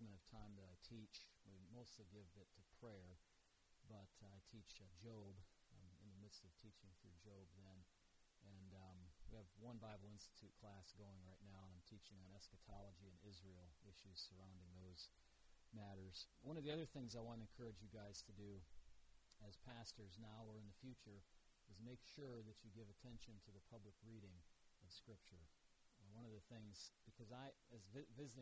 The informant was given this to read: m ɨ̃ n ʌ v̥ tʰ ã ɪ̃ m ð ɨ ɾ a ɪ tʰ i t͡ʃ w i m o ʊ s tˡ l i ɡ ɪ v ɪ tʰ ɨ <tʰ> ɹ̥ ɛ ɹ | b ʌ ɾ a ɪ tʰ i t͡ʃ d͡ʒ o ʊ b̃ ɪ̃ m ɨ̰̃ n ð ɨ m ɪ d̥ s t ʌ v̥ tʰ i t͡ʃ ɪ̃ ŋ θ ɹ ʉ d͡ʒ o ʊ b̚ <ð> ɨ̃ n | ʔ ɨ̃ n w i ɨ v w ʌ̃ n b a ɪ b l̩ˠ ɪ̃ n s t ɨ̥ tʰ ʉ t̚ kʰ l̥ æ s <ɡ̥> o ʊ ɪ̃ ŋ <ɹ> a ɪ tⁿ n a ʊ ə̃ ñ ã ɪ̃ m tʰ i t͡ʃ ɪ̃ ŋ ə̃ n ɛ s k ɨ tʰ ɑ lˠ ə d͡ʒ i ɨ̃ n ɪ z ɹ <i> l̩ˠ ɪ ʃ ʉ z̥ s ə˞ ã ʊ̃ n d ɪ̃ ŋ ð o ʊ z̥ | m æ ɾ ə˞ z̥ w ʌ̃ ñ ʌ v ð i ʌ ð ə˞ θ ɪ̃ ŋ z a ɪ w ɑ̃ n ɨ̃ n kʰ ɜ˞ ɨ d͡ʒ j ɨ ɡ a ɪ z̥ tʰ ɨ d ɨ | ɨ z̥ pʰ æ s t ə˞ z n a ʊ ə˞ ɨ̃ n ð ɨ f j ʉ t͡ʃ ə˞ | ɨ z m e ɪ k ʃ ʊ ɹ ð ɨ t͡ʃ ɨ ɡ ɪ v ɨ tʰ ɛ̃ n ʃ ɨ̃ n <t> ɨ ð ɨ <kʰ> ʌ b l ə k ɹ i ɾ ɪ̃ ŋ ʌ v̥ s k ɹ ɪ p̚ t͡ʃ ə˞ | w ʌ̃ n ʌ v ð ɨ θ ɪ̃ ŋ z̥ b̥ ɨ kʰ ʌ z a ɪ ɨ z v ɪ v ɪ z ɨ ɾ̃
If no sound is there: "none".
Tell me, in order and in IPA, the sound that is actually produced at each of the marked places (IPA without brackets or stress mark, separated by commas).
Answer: pʰ, ð, ɡ̥, ɹ, i, tʰ, pʰ